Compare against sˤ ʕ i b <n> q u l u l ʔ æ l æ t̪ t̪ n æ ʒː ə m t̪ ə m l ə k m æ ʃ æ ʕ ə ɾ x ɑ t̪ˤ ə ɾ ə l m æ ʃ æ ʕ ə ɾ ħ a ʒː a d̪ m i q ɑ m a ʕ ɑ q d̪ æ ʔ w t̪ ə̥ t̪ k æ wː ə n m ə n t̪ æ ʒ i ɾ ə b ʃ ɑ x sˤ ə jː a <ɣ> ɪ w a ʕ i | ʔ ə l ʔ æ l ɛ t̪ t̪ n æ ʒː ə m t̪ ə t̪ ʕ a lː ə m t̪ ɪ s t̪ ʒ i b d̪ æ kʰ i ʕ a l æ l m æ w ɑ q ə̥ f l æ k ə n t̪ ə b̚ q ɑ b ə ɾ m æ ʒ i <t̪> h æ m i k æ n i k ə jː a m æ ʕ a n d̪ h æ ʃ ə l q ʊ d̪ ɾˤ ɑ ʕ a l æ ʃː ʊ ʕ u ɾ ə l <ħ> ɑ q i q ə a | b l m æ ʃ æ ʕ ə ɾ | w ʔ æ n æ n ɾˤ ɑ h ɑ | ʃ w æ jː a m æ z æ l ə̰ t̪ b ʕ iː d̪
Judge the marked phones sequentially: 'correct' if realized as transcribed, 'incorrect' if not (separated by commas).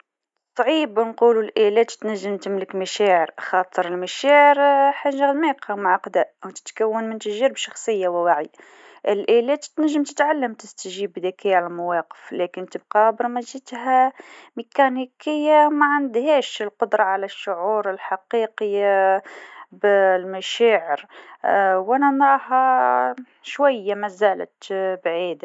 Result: correct, incorrect, correct, correct